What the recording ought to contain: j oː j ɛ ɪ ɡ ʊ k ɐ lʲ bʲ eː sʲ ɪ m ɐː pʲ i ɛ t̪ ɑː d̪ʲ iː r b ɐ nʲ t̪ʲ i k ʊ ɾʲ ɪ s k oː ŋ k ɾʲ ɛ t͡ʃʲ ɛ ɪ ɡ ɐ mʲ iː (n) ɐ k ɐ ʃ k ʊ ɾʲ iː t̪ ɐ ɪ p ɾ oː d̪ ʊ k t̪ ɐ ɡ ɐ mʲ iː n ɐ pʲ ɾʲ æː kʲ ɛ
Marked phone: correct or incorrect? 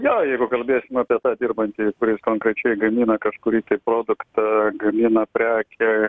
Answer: correct